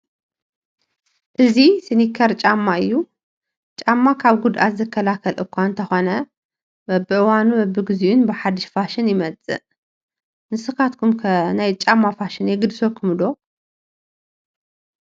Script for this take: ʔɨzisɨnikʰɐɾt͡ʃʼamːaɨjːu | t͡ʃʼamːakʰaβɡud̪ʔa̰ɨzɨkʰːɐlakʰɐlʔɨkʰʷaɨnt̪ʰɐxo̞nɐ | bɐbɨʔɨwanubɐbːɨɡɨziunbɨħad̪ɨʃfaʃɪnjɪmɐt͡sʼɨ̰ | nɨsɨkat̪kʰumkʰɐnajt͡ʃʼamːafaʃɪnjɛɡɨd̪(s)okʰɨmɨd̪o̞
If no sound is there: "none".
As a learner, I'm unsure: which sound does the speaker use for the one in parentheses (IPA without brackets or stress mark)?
s